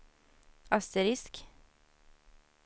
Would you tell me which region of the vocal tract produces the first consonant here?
tongue tip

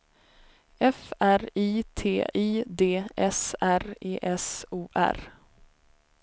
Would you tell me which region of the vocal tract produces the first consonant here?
lips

